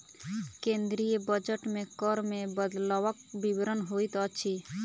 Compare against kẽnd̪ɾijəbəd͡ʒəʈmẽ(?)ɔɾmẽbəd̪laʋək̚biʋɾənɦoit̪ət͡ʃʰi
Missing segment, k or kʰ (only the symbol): k